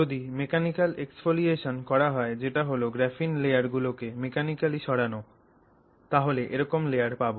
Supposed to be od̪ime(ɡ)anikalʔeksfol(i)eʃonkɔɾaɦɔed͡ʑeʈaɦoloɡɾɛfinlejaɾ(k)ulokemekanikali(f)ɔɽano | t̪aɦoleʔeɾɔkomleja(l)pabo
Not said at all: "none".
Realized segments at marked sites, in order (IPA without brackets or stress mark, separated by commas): k, i, ɡ, ʃ, ɾ